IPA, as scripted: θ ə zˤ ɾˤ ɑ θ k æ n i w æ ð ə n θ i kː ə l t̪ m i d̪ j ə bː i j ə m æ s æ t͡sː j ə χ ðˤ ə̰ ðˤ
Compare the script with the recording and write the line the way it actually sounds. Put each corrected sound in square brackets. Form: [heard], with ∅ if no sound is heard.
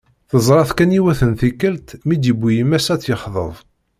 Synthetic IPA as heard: θ ə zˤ ɾˤ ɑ θ k æ n i w æ [θ] ə n θ i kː ə l t̪ m i d̪ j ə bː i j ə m æ s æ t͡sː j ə χ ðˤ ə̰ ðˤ